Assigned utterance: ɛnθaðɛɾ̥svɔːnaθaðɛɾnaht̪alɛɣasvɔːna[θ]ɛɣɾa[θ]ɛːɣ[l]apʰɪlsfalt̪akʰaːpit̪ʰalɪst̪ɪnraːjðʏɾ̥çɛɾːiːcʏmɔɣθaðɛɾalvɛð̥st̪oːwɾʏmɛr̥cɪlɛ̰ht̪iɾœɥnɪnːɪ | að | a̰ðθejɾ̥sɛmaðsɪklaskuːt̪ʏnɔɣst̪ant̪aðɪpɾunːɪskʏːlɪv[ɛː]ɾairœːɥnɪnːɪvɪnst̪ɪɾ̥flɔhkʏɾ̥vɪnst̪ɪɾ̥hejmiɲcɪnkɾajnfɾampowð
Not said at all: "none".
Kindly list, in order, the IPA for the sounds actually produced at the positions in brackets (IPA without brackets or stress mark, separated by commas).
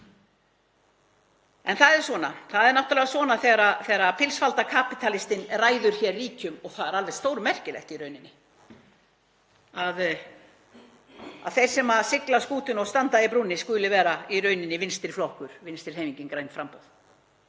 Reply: θ, θ, ɾ, ɛː